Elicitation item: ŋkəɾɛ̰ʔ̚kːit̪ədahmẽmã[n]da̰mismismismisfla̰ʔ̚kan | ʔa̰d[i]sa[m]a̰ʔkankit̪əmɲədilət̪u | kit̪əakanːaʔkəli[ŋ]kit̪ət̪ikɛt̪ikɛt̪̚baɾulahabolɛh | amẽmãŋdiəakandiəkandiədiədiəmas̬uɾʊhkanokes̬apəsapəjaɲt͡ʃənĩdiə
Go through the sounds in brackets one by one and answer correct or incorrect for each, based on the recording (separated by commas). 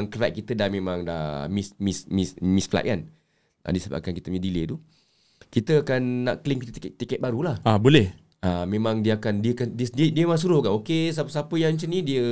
incorrect, correct, incorrect, correct